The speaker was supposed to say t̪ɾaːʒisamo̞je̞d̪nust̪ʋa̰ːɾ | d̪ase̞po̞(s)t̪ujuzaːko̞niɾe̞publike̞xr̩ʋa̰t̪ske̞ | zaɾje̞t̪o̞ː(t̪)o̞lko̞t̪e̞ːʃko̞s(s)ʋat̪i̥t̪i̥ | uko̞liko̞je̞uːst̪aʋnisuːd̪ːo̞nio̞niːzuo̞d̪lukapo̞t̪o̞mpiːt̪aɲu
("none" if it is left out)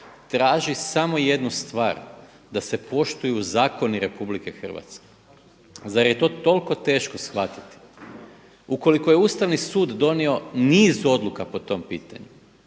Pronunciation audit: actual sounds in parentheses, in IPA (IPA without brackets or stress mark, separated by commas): ʃ, t̪, x